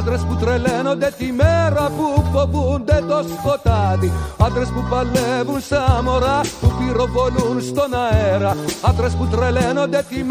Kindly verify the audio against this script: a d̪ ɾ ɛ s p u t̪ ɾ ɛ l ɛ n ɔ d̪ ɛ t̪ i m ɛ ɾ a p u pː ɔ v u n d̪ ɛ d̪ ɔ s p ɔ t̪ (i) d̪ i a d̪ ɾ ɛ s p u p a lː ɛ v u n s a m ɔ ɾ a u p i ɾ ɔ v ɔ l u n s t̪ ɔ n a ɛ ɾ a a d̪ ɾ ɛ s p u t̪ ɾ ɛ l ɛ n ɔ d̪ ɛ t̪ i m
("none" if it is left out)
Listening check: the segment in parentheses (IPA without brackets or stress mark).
a